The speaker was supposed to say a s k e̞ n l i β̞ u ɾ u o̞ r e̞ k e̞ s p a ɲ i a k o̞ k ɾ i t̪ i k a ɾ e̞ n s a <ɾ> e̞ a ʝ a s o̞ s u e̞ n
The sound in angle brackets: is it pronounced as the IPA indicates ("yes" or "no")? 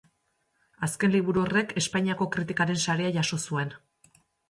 yes